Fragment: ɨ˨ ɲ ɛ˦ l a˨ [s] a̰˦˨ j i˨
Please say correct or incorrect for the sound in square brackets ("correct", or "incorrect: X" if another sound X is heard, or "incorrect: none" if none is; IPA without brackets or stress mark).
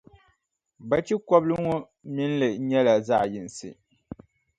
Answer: incorrect: z